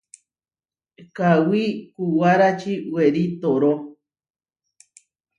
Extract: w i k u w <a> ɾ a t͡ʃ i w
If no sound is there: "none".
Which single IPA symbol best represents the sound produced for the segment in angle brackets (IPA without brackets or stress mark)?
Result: a